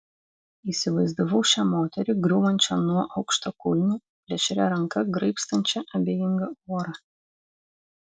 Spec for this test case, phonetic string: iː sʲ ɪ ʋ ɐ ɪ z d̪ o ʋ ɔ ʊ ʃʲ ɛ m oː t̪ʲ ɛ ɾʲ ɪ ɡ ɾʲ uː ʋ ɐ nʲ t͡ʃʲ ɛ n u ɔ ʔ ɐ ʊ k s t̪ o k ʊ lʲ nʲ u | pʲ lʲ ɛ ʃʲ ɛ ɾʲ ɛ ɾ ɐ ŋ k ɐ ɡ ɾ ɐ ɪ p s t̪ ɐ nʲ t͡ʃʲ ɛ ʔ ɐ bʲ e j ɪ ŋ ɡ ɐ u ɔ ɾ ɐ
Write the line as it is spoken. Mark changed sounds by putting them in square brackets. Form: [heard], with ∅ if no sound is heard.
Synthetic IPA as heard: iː sʲ ɪ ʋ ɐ ɪ z d̪ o ʋ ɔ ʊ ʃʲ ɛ m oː t̪ʲ ɛ ɾʲ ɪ ɡ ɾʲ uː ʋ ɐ nʲ t͡ʃʲ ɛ n u ɔ ʔ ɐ ʊ k [ʃ] t̪ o k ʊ lʲ nʲ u | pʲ lʲ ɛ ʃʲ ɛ ɾʲ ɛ ɾ ɐ ŋ k ɐ ɡ ɾ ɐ ɪ p s t̪ ɐ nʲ t͡ʃʲ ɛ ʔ ɐ bʲ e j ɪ ŋ ɡ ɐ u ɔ ɾ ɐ